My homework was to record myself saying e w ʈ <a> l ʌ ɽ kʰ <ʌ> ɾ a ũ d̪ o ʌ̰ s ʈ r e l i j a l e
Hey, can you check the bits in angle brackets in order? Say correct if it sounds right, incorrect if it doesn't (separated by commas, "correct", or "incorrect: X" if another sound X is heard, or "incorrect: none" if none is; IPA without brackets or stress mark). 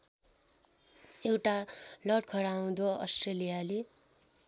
correct, correct